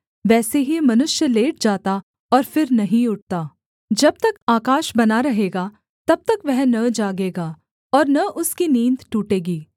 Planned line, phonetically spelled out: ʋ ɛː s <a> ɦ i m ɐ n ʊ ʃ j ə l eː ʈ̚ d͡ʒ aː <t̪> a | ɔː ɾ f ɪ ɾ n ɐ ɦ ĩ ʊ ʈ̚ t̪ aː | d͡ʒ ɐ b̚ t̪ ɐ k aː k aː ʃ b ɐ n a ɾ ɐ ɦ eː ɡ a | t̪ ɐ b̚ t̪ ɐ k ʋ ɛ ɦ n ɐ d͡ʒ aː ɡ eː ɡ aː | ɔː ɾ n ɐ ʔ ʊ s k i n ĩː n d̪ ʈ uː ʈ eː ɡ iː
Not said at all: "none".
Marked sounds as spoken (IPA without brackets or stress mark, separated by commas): e, t̪